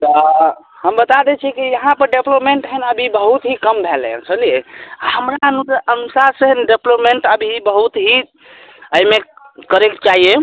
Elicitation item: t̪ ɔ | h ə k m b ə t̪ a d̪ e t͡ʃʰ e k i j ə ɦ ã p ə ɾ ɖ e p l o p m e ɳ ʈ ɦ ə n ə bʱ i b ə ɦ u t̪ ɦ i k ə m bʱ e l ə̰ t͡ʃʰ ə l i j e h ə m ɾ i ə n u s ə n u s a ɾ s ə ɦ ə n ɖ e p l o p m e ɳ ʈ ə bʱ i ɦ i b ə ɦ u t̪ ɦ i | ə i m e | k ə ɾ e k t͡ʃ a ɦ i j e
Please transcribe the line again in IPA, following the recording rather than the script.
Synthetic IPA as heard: t̪ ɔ | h ə m b ə t̪ a d̪ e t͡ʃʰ i k i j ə ɦ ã p ə ɾ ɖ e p l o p m e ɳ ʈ ɦ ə n ə bʱ i b ə ɦ u t̪ ɦ i k ə m bʱ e l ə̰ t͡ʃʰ ə l i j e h ə m ɾ a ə n u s ə n u s a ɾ s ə ɦ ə n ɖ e p l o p m e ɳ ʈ ə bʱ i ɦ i b ə ɦ u t̪ ɦ i | ə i m e | k ə ɾ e k t͡ʃ a ɦ i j e